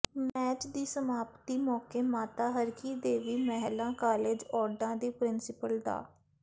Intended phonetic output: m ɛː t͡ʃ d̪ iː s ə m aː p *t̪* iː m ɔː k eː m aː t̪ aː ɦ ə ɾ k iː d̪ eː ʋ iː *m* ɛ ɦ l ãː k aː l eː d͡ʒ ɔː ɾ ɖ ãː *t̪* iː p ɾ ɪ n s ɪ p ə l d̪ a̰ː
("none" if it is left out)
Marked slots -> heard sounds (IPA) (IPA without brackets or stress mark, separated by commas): t̪, m, d̪